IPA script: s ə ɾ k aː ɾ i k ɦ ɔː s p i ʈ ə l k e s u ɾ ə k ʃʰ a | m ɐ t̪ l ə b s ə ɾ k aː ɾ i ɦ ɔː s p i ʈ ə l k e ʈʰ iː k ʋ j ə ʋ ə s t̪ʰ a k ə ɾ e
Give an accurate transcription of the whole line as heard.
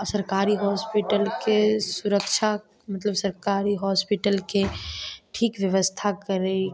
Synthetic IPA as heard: s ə ɾ k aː ɾ i ɦ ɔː s p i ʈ ə l k e s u ɾ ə k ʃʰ a | m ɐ t̪ l ə b s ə ɾ k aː ɾ i ɦ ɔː s p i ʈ ə l k e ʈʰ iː k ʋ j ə ʋ ə s t̪ʰ a k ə ɾ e

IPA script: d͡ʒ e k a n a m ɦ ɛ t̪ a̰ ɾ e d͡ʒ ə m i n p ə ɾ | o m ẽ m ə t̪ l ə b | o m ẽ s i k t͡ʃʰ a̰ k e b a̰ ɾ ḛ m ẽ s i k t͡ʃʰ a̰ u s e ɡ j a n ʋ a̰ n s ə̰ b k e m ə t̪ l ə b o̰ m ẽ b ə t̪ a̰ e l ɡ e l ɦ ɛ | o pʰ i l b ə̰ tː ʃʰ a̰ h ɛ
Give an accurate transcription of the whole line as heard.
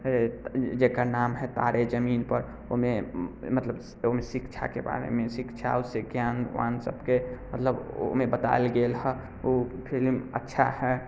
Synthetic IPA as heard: d͡ʒ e k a n a m ɦ ɛ t̪ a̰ ɾ e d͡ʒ ə m i n p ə ɾ | o m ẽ m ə t̪ l ə b | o m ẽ s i k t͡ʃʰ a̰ k e b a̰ ɾ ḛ m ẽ s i k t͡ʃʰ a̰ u s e ɡ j a n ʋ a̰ n s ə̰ b k e m ə t̪ l ə b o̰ m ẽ b ə t̪ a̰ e l ɡ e l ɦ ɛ | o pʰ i l m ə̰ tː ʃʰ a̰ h ɛ

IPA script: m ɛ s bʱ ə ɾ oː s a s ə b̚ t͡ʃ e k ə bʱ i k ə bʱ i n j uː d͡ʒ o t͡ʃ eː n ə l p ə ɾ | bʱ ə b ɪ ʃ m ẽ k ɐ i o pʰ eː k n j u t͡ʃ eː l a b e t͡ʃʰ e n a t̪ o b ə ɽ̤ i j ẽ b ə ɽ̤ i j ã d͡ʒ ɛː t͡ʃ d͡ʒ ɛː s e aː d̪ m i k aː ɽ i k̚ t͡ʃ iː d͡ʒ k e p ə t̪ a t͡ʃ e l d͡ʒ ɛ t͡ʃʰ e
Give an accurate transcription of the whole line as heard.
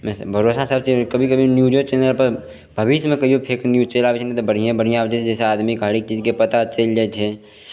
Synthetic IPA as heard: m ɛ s bʱ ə ɾ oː s a s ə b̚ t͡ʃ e k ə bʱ i k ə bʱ i n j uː d͡ʒ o t͡ʃ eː n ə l p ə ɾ | bʱ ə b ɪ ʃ m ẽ k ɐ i o pʰ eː k n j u t͡ʃ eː l a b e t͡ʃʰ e n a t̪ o b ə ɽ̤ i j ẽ b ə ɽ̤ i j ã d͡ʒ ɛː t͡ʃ d͡ʒ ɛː s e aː d̪ m i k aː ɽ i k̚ t͡ʃ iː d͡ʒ k e p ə t̪ a t͡ʃ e l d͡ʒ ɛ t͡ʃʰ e

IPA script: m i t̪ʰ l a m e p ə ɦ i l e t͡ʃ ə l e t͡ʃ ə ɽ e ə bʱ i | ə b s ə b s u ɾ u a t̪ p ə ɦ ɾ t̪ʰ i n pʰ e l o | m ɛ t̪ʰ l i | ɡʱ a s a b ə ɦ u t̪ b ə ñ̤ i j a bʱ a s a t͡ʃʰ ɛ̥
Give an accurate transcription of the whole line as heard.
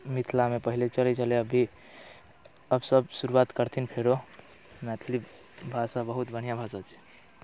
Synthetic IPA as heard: m i t̪ʰ l a m e p ə ɦ i l e t͡ʃ ə l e t͡ʃ ə l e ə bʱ i | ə b s ə b s u ɾ u a t̪ k ə ɾ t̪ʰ i n pʰ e ɾ o | m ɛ t̪ʰ l i | bʱ a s a b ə ɦ u t̪ b ə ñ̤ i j a bʱ a s a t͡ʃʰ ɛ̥

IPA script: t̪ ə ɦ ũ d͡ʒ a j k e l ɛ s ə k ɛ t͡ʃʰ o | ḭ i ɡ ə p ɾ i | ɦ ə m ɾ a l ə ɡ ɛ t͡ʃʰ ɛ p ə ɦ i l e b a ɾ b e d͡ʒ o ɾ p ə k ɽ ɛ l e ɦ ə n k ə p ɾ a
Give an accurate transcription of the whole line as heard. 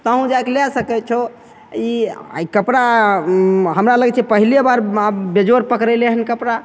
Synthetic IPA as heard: t̪ ə ɦ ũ d͡ʒ a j k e l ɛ s ə k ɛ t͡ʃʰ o | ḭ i k ə p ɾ a | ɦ ə m ɾ a l ə ɡ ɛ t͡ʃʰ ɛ p ə ɦ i l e b a ɾ b e d͡ʒ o ɾ p ə k ɾ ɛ l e ɦ ə n k ə p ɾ a

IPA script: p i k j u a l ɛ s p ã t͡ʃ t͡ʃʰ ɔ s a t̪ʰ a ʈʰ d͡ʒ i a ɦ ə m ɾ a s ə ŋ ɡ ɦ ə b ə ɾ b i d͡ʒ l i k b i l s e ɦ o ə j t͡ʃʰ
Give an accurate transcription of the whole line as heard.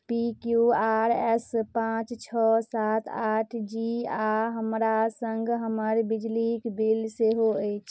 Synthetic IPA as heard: p i k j u a ɾ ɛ s p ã t͡ʃ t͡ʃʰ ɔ s a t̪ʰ a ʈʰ d͡ʒ i a ɦ ə m ɾ a s ə ŋ ɡ ɦ ə m ə ɾ b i d͡ʒ l i k b i l s e ɦ o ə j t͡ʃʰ

